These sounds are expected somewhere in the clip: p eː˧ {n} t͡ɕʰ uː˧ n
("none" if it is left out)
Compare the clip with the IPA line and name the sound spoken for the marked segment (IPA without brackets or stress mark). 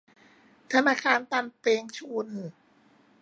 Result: ŋ